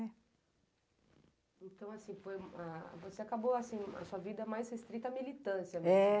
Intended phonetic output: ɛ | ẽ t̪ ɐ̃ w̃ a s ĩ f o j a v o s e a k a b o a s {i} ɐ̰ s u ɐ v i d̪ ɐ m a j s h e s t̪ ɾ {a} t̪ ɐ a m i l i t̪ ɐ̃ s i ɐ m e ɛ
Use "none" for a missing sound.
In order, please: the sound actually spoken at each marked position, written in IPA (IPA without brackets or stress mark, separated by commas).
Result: ĩ, i